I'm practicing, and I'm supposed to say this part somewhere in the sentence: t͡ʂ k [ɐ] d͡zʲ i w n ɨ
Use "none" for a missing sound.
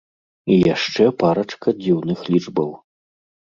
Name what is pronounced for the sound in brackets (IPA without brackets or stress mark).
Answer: ɐ